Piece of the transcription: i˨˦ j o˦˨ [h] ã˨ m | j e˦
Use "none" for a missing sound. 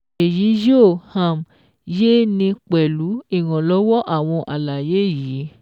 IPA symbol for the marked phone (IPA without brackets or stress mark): h